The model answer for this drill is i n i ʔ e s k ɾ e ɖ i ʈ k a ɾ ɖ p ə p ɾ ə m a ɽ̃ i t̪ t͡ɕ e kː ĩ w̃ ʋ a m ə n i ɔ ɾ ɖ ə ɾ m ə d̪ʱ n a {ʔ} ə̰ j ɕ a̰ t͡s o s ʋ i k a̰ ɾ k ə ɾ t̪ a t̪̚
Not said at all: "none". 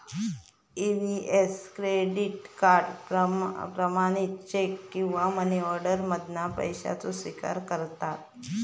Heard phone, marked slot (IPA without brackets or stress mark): p